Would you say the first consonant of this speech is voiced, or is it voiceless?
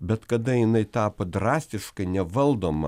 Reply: voiced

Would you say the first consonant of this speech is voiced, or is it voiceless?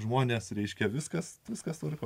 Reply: voiced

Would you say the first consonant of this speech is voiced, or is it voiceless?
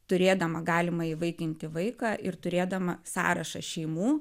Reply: voiceless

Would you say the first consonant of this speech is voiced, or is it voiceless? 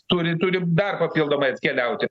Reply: voiceless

